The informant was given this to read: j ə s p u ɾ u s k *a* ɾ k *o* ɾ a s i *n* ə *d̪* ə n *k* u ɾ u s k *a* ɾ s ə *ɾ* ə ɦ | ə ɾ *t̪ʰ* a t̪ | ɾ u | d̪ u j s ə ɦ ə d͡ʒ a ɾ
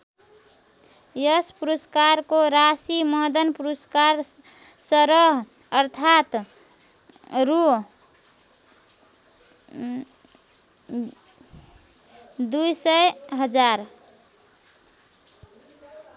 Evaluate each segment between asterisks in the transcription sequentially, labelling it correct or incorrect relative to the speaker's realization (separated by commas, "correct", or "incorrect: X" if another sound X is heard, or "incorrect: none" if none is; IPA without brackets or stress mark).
correct, correct, incorrect: m, correct, incorrect: p, correct, correct, correct